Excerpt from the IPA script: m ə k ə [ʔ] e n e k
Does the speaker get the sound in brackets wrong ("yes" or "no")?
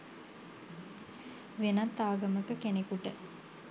yes